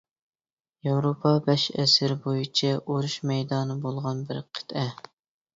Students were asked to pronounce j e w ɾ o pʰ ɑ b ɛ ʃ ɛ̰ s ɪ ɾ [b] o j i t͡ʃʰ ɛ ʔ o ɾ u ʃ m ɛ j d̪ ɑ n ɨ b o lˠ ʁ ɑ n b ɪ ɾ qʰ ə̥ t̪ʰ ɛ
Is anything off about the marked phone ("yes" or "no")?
no